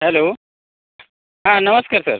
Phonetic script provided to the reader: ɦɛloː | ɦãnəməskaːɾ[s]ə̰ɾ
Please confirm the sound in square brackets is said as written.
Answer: yes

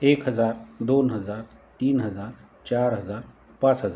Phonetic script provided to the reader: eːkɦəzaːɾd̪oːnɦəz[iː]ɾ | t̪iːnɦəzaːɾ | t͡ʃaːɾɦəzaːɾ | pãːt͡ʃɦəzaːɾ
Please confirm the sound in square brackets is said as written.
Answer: no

